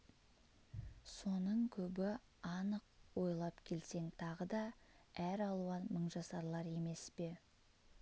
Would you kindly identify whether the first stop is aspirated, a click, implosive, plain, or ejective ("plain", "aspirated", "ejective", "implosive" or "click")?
aspirated